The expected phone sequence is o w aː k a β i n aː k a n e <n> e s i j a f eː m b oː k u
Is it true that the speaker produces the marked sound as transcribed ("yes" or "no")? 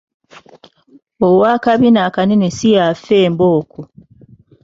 yes